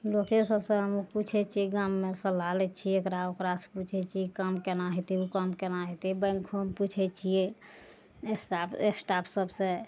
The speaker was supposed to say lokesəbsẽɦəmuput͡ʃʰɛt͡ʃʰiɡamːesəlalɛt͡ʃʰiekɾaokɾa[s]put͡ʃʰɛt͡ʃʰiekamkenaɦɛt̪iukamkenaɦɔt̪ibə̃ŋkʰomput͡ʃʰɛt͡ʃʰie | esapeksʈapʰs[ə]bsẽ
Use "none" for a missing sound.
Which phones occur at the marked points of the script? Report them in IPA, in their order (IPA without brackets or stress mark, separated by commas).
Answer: s, ə